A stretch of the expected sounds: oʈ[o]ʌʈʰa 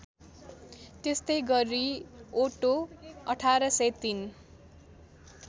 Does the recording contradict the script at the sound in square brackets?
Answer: no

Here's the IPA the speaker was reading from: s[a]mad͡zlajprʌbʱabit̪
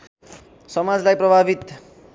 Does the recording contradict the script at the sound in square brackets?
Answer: yes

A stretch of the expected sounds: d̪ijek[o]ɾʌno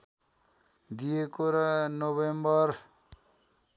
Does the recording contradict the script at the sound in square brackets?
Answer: no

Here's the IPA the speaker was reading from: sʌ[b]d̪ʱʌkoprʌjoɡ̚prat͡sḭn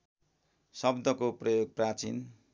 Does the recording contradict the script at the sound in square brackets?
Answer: no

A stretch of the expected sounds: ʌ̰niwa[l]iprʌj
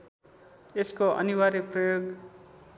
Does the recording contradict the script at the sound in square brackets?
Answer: yes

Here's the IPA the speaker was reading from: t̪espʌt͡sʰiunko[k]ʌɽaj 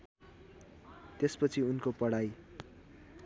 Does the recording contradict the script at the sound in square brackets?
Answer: yes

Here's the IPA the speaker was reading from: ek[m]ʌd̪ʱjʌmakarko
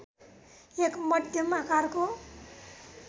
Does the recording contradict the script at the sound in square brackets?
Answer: no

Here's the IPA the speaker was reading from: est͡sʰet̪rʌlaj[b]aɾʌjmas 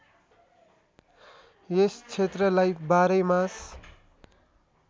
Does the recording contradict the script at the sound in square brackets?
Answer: no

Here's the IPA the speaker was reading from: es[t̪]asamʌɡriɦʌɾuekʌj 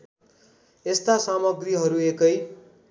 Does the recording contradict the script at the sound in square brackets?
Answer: no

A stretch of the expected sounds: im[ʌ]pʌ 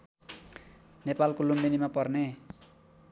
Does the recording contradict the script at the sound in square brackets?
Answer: yes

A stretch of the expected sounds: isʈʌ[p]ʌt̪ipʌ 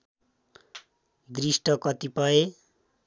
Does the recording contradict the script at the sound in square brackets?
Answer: yes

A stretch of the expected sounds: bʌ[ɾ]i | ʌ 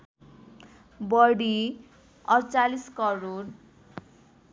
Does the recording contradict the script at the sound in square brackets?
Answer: yes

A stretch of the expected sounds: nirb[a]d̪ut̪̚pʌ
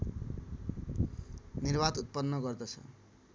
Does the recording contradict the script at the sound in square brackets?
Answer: no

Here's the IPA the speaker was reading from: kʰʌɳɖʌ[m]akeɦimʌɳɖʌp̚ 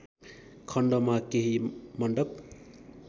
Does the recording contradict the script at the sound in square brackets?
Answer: no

